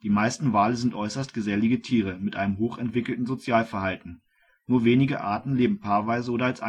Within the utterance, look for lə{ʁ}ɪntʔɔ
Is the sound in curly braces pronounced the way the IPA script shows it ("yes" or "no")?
no